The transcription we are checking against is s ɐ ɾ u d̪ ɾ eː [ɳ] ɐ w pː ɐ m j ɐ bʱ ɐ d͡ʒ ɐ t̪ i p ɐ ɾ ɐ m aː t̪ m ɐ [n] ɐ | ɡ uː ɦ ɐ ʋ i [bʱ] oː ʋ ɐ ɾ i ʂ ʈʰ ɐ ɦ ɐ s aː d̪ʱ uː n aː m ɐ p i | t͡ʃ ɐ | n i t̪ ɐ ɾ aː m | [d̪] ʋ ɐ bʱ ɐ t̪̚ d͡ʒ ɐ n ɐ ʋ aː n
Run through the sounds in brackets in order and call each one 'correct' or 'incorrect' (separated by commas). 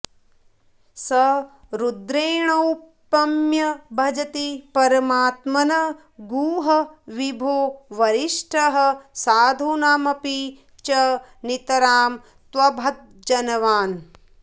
correct, correct, correct, incorrect